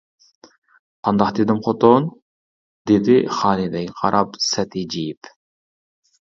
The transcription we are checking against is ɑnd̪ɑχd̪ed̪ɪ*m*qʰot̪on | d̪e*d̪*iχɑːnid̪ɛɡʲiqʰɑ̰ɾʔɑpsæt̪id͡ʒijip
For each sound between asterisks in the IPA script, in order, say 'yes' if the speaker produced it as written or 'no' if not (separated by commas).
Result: yes, yes